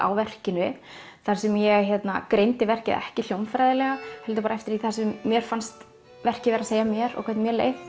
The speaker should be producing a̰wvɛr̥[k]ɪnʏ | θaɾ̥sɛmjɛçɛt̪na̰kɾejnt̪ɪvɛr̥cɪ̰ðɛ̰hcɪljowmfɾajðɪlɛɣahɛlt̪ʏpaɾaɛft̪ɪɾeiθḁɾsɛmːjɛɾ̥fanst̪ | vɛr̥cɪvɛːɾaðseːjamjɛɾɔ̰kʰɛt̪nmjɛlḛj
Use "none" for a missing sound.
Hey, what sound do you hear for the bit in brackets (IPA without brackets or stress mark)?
c